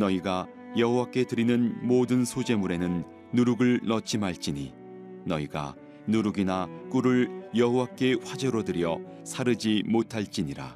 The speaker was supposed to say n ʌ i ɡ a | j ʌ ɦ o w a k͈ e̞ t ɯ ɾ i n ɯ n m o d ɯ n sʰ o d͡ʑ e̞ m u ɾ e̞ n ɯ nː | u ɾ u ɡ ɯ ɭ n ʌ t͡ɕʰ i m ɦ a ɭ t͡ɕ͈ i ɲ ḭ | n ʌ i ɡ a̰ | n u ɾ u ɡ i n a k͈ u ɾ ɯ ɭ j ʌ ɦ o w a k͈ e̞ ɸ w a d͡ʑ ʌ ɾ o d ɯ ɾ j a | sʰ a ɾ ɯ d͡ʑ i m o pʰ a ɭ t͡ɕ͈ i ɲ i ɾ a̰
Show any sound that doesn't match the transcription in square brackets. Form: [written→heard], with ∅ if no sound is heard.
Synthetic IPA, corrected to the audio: n ʌ i ɡ a | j ʌ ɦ o w a k͈ e̞ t ɯ ɾ i n ɯ n m o d ɯ n sʰ o d͡ʑ e̞ m u ɾ e̞ n ɯ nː | u ɾ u ɡ ɯ ɭ n ʌ t͡ɕʰ i m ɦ a ɭ t͡ɕ͈ i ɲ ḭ | n ʌ i ɡ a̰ | n u ɾ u ɡ i n a k͈ u ɾ ɯ ɭ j ʌ ɦ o w a k͈ e̞ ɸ w a d͡ʑ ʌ ɾ o d ɯ ɾ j [a→ʌ] | sʰ a ɾ ɯ d͡ʑ i m o [pʰ→tʰ] a ɭ t͡ɕ͈ i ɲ i ɾ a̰